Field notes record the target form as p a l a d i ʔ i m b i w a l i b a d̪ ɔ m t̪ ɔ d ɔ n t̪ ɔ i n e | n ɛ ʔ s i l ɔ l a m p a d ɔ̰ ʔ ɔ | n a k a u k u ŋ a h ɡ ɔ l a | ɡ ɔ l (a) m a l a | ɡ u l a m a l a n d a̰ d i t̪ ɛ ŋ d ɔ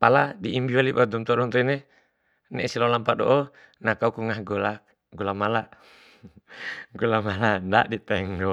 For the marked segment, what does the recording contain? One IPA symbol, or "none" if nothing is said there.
a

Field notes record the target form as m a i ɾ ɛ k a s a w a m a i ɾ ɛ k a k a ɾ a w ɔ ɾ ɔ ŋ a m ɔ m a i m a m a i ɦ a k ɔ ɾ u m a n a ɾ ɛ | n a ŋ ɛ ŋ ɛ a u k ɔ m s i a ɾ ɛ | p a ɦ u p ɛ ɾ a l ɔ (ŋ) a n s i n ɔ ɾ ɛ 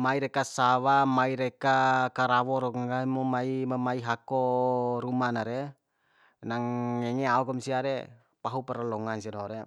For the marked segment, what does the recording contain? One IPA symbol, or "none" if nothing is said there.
ŋ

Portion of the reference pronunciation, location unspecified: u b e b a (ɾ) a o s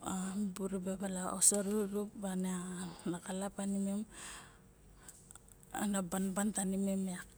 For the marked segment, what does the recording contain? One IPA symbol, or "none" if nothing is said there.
l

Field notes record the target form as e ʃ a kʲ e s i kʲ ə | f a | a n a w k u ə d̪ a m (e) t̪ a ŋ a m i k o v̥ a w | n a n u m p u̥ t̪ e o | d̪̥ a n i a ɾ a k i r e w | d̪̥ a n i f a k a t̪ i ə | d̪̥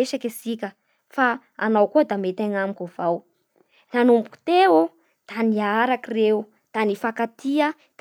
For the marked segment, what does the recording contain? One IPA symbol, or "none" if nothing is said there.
e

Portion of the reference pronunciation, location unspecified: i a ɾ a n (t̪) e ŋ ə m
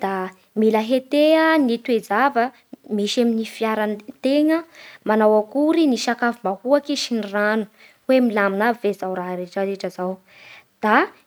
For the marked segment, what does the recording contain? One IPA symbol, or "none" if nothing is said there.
t̪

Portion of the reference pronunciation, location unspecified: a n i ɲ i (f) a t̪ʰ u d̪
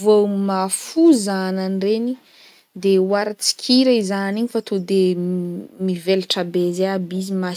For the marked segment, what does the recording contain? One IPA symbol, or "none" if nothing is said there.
f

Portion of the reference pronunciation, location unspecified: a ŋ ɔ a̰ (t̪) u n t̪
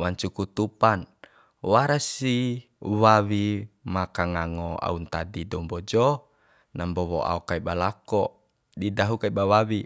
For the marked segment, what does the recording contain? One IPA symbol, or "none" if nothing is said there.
none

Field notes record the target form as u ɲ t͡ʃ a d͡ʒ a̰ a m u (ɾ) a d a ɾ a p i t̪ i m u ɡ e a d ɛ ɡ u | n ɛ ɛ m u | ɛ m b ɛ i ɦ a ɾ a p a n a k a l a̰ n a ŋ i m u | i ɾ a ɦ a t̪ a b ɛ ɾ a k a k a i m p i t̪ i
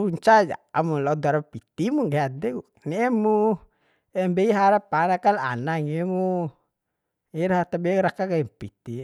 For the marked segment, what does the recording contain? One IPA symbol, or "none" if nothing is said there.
l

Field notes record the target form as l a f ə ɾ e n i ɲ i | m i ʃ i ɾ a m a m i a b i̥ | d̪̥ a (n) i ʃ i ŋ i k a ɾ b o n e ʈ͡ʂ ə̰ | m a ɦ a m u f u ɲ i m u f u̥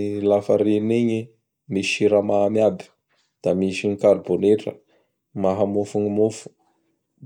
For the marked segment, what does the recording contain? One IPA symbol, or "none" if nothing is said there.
m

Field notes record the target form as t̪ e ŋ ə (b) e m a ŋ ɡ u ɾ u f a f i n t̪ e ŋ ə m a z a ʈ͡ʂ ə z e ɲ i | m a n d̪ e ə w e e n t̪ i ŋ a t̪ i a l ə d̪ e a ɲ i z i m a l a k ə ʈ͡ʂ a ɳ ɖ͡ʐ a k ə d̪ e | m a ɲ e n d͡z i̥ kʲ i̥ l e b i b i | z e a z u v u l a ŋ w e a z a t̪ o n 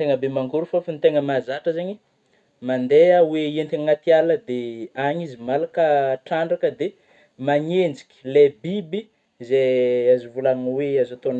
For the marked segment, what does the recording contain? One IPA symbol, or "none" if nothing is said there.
b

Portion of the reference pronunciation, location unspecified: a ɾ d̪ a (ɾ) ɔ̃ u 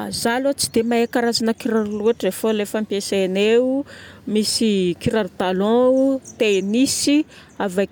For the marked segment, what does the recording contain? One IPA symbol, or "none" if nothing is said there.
l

